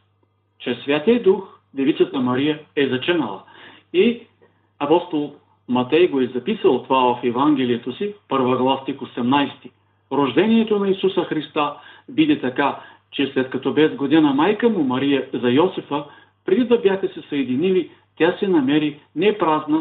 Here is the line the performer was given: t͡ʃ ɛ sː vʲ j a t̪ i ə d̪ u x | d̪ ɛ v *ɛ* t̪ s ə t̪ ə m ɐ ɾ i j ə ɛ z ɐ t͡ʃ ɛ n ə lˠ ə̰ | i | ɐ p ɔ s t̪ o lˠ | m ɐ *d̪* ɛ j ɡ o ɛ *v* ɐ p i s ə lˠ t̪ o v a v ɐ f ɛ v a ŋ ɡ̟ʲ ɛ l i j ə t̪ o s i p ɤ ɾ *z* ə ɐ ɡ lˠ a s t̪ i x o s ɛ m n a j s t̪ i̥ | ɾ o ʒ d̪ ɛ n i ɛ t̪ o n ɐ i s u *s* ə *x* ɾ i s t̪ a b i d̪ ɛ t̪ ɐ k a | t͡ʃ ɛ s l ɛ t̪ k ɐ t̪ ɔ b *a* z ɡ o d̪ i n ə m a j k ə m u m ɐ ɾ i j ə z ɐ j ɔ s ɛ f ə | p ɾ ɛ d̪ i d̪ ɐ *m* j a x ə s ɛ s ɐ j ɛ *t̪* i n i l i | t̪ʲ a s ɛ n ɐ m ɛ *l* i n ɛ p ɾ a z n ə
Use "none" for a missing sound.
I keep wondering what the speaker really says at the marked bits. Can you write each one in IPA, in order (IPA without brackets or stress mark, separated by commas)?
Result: i, t̪, z, v, s, x, ɛ, b, d̪, ɾ